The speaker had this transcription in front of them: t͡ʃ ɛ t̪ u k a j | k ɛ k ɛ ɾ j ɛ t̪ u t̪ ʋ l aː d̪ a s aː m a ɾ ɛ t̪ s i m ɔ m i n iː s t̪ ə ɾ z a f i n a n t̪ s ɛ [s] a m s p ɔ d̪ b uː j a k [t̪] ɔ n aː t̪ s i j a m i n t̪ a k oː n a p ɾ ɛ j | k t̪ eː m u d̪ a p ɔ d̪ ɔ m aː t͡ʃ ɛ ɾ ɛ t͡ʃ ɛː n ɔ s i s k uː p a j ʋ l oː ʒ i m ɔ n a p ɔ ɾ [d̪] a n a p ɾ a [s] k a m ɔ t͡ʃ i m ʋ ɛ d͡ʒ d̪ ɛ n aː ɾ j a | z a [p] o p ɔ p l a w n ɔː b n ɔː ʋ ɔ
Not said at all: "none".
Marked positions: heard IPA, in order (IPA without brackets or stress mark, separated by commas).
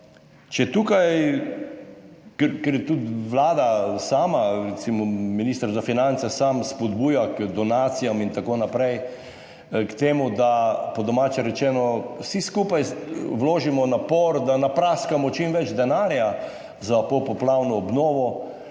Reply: s, d̪, d̪, s, p